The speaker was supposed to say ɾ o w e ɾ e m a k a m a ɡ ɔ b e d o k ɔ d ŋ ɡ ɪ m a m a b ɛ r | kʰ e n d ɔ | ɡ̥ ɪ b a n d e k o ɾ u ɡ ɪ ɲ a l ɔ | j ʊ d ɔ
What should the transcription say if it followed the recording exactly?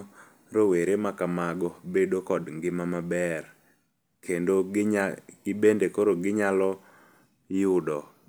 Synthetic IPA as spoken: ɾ o w e ɾ e m a k a m a ɡ ɔ b e d o k ɔ d ŋ ɡ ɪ m a m a b ɛ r | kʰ e n d o | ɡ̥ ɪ b e n d e k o ɾ o ɡ ɪ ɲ a l ɔ | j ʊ d ɔ